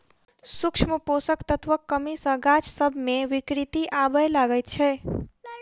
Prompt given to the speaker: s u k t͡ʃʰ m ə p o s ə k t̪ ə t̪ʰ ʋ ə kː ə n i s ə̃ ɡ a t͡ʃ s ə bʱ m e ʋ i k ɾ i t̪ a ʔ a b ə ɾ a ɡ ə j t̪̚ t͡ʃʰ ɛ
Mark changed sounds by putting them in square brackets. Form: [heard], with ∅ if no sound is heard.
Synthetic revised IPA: s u k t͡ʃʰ m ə p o s ə k t̪ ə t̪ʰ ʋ ə kː ə [m] i s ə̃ ɡ a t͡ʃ s ə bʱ m e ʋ i k ɾ i t̪ [i] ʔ a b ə [l] a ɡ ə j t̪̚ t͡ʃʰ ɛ

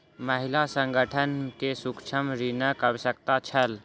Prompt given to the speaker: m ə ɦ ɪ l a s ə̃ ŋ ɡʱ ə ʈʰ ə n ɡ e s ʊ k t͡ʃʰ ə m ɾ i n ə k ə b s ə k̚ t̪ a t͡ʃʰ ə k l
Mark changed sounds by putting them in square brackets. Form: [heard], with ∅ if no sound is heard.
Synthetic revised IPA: m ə ɦ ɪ l a s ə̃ ŋ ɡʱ ə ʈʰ ə n [k] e s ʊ k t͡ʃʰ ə m ɾ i n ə k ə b s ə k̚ t̪ a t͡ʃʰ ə [∅] l

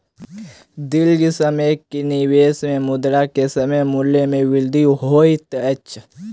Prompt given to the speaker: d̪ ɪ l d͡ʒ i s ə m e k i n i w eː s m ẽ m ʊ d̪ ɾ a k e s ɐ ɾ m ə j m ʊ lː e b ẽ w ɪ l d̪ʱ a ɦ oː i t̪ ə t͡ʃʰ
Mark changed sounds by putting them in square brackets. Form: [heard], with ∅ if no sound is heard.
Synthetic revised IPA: d̪ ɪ l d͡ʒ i s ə m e k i n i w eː s m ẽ m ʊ d̪ ɾ a k e s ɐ [∅] m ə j m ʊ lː e [m] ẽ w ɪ l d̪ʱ [i] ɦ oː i t̪ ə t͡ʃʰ

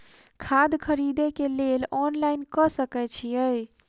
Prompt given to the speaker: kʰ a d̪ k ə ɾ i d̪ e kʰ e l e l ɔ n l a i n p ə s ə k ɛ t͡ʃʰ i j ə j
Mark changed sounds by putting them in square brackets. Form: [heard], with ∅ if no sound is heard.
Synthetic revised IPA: kʰ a d̪ [kʰ] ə ɾ i d̪ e [k] e l e l ɔ n l a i n [k] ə s ə k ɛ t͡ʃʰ i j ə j

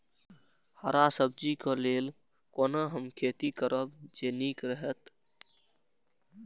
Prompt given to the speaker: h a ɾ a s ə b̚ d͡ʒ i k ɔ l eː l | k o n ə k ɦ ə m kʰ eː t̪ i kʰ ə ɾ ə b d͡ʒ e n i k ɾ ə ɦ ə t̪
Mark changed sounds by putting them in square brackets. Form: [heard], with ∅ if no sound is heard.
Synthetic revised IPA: h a ɾ a s ə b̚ d͡ʒ i k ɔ l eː l | k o n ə [∅] ɦ ə m kʰ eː t̪ i [k] ə ɾ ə b d͡ʒ e n i k ɾ ə ɦ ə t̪

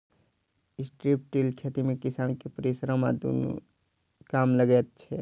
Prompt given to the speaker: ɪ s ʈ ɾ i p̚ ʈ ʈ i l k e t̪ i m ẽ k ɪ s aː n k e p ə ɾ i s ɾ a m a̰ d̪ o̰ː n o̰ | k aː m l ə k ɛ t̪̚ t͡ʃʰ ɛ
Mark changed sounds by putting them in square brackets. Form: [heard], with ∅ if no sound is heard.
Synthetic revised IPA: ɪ s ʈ ɾ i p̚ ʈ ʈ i l [kʰ] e t̪ i m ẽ k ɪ s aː n k e p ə ɾ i s ɾ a m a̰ d̪ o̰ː n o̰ | k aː m l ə [ɡ] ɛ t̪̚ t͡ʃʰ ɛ

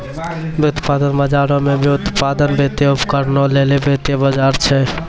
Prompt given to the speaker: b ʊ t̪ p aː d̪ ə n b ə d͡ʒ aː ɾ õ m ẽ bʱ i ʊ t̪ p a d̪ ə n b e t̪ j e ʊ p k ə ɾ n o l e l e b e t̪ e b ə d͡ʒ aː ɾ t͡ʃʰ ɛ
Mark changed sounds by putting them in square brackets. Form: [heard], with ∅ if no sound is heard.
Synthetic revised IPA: b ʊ t̪ p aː d̪ ə n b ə d͡ʒ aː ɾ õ m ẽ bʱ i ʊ t̪ p a d̪ ə n b e t̪ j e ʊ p k ə ɾ n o l e l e b e t̪ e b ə d͡ʒ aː ɾ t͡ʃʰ ɛ

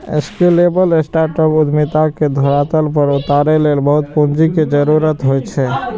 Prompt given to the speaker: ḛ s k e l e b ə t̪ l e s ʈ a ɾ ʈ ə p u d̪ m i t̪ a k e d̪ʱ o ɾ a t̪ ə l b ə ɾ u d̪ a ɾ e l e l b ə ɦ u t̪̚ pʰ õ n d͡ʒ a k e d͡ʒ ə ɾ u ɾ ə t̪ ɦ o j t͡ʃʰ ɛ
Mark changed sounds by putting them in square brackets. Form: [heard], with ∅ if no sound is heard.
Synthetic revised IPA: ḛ s k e l e b ə [∅] l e s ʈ a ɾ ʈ ə p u d̪ m i t̪ a k e d̪ʱ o ɾ a t̪ ə l [p] ə ɾ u [t̪] a ɾ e l e l b ə ɦ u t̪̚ [p] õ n d͡ʒ [i] k e d͡ʒ ə ɾ u ɾ ə t̪ ɦ o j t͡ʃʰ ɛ

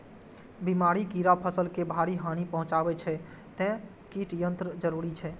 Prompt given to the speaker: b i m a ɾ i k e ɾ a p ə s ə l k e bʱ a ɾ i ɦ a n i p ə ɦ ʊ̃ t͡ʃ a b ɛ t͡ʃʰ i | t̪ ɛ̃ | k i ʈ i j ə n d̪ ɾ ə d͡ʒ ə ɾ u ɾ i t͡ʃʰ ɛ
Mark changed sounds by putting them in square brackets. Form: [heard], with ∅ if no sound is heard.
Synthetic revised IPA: b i m a ɾ i k [i] ɾ a [pʰ] ə s ə l k e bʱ a ɾ i ɦ a n i p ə ɦ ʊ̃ t͡ʃ a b ɛ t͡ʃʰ [ɛ] | t̪ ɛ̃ | k i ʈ i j ə n [t̪] ɾ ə d͡ʒ ə ɾ u ɾ i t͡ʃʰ ɛ

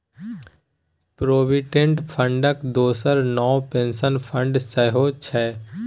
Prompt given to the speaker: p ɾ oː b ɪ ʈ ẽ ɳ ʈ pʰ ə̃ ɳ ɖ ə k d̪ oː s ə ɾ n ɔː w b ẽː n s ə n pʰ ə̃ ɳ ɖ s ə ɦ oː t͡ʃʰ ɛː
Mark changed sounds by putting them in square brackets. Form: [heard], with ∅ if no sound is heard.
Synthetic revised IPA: p ɾ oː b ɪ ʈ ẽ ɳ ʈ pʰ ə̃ ɳ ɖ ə k d̪ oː s ə ɾ n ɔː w [p] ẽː n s ə n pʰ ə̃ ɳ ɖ s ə ɦ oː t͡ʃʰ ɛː

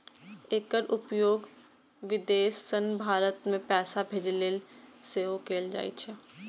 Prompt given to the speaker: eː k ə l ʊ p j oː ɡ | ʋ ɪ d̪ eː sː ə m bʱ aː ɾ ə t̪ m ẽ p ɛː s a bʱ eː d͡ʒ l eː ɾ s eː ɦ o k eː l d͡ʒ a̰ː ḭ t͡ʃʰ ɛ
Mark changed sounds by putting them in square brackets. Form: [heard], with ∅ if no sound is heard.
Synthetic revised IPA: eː k ə [ɾ] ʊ p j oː ɡ | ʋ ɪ d̪ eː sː ə [n] bʱ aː ɾ ə t̪ m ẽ p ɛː s a bʱ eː d͡ʒ l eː [l] s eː ɦ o k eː l d͡ʒ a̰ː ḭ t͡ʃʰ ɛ

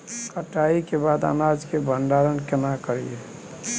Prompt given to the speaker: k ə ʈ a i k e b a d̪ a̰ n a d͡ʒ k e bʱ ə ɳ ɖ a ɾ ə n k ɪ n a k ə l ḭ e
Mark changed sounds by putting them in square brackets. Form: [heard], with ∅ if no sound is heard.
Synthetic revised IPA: k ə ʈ a i k e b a d̪ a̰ n a d͡ʒ k e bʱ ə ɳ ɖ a ɾ ə n k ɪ n a k ə [ɾ] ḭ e

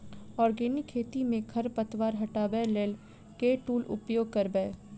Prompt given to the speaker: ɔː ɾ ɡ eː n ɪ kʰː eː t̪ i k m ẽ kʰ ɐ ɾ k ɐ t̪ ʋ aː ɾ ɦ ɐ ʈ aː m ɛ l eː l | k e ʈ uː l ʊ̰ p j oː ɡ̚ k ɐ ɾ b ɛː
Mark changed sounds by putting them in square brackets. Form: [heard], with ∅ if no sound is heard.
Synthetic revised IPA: ɔː ɾ ɡ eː n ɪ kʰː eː t̪ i [∅] m ẽ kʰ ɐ ɾ [p] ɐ t̪ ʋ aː ɾ ɦ ɐ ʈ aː [b] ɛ l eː l | k e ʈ uː l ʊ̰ p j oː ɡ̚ k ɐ ɾ b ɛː

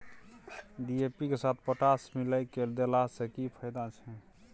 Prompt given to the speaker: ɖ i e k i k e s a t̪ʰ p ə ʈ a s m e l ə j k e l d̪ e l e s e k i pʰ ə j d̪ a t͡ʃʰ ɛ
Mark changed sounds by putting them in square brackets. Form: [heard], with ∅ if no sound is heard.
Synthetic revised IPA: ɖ i e [p] i k e s a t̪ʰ p ə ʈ a s m [i] l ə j k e l d̪ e l [a] s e k i pʰ ə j d̪ a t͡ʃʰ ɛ

